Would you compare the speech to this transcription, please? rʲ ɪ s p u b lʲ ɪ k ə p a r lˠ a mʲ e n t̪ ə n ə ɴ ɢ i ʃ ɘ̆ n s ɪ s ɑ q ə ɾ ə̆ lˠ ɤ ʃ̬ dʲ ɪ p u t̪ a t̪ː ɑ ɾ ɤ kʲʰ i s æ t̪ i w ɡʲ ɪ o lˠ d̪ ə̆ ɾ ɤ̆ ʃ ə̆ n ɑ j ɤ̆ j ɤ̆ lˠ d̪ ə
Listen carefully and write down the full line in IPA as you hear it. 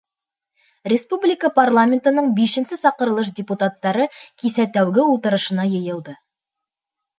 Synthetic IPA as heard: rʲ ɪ s p u b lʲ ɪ k ə p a r lˠ a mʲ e n t̪ ə n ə ɴ b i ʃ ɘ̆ n s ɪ s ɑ q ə ɾ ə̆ lˠ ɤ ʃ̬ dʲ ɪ p u t̪ a t̪ː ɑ ɾ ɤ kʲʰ i s æ t̪ æ w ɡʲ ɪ u lˠ t̪ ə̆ ɾ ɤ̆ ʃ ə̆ n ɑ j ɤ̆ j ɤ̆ lˠ d̪ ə